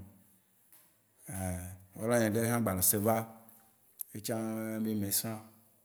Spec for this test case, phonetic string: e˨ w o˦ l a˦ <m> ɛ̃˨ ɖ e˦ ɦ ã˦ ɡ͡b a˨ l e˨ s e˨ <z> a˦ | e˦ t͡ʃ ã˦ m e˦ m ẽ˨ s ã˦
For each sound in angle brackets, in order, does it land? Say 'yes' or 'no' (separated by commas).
no, no